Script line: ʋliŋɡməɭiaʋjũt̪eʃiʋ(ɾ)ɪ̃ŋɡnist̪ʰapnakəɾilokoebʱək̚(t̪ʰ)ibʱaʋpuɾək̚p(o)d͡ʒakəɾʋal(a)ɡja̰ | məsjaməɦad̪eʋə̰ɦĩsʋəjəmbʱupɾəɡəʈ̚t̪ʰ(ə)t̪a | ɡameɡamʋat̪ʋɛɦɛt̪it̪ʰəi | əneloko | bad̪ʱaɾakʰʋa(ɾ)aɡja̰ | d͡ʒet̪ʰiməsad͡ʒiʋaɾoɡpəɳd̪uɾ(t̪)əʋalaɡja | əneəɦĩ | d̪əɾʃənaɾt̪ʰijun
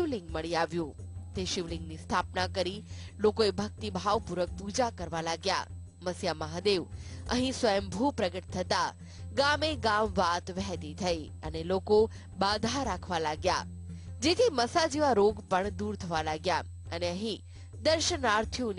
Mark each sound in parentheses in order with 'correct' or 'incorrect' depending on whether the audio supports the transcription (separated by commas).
incorrect, incorrect, incorrect, correct, correct, incorrect, incorrect